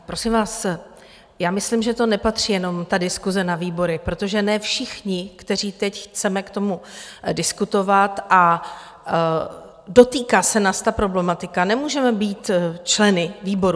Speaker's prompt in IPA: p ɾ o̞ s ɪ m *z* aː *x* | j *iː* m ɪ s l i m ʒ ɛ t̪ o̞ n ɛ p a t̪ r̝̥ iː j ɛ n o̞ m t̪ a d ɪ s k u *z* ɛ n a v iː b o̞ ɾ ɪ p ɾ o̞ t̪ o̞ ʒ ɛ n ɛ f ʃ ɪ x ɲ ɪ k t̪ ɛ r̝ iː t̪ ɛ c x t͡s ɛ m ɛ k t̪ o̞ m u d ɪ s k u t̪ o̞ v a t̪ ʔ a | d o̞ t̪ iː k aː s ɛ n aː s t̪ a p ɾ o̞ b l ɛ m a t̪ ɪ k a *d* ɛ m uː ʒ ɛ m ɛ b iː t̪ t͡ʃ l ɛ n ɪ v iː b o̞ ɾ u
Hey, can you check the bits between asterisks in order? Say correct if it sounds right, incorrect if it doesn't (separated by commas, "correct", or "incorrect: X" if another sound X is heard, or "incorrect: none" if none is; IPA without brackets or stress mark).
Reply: incorrect: v, incorrect: s, incorrect: aː, correct, incorrect: n